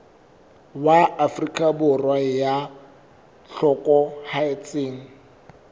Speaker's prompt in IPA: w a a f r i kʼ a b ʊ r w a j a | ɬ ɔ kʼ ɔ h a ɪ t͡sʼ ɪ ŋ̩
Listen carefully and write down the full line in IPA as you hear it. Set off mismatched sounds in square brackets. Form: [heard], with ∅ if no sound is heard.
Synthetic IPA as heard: w a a f r i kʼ a b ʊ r w a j a | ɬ ɔ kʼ ɔ h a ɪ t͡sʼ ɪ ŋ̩